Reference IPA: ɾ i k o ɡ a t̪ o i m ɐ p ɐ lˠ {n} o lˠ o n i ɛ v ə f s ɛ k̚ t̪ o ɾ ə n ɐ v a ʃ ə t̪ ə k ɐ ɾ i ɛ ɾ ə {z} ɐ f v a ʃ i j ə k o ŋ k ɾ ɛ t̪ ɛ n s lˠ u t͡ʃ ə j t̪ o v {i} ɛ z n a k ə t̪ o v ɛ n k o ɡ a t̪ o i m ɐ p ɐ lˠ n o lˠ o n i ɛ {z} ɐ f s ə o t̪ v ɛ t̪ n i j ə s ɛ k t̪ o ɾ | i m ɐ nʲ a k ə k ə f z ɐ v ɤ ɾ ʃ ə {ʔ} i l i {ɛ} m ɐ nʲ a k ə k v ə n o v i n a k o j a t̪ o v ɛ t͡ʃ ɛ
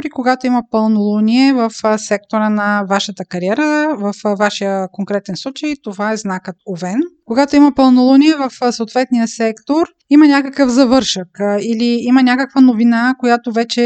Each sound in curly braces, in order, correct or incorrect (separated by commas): correct, incorrect, incorrect, incorrect, incorrect, incorrect